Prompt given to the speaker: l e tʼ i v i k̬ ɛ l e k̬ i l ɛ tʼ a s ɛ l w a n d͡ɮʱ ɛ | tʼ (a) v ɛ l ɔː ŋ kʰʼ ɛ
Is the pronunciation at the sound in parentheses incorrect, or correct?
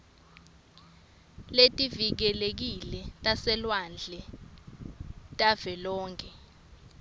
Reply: correct